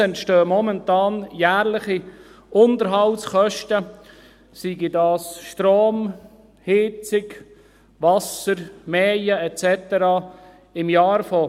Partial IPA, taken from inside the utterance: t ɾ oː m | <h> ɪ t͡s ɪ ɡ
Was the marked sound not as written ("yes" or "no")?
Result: no